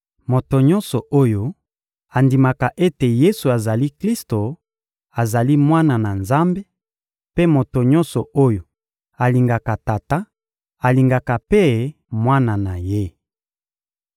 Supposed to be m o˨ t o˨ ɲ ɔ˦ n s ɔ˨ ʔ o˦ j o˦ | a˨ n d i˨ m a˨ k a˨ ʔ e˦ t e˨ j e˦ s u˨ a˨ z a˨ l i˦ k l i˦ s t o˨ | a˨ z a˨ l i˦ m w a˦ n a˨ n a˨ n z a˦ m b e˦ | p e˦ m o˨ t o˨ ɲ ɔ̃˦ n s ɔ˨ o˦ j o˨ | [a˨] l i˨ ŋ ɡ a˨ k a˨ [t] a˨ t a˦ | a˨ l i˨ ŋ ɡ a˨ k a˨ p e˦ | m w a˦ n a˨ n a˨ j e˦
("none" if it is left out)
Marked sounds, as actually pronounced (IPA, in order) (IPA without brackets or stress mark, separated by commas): a˨, t